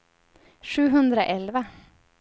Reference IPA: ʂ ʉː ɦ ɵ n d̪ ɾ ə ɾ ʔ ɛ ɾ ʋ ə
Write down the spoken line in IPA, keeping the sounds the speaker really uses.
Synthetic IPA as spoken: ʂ ʉː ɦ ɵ n d̪ ɾ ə ʔ ɛ l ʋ ə